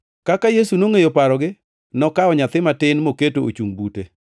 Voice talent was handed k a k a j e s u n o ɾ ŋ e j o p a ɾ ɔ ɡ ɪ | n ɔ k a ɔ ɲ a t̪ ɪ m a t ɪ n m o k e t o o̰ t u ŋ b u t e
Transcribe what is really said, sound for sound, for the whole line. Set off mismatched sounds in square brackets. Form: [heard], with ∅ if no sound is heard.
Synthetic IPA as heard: k a k a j e s u n o [∅] ŋ e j o p a ɾ ɔ ɡ ɪ | n ɔ k a ɔ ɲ a t̪ ɪ m a t ɪ n m o k e t o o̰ [t͡ʃ] u ŋ b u t e